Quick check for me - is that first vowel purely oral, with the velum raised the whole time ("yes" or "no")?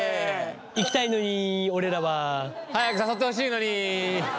yes